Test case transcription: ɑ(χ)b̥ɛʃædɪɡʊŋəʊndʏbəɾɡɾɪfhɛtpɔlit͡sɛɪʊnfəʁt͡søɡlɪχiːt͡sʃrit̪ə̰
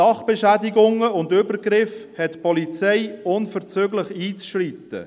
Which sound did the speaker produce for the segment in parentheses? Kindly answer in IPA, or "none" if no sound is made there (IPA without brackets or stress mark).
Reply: χ